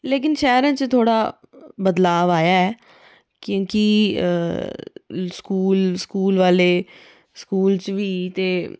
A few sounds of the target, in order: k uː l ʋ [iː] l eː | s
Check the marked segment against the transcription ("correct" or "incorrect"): incorrect